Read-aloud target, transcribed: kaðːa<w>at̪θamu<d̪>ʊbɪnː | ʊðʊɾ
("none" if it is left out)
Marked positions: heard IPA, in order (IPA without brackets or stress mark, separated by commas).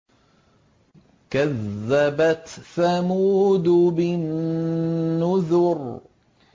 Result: b, d̪